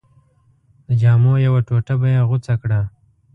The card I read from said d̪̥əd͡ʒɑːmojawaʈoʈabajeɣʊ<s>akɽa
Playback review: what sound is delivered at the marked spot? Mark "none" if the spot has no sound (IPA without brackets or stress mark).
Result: t͡s